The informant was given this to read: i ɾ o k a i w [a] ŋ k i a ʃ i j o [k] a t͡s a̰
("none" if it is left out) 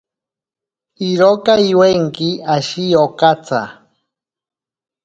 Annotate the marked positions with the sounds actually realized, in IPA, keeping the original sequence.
e, k

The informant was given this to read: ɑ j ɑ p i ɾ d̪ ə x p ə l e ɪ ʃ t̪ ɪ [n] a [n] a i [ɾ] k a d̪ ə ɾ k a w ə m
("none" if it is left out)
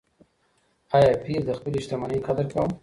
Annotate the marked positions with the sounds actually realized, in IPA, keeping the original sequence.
m, n, none

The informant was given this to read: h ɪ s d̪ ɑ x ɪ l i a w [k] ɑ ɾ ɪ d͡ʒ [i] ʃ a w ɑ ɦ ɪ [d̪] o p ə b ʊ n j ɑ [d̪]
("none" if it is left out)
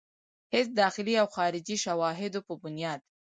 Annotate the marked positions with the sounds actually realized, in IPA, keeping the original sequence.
x, i, d̪, d̪

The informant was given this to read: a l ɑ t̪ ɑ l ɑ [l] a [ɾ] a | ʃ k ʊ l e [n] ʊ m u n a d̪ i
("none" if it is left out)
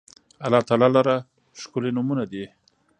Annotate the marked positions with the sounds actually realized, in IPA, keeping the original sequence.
l, ɾ, n

